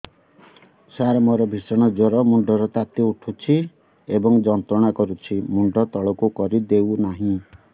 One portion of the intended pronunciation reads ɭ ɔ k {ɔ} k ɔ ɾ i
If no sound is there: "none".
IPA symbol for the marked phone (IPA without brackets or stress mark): u